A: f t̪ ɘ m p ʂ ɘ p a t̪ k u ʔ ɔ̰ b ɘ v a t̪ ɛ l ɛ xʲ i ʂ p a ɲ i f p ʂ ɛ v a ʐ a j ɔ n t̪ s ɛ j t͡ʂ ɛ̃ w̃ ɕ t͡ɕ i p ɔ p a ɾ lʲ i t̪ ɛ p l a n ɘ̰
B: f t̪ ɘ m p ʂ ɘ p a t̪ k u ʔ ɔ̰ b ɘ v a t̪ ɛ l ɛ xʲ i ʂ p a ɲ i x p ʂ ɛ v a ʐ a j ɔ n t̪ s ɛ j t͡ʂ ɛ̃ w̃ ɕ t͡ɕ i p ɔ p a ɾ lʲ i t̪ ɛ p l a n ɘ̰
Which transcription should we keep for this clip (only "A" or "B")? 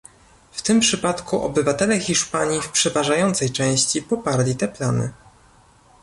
A